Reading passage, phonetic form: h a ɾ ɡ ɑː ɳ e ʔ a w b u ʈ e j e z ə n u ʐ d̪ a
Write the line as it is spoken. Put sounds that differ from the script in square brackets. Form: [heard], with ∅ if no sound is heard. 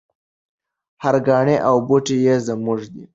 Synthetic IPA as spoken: h a ɾ ɡ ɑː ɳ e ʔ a w b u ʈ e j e z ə [m] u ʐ d̪ [i]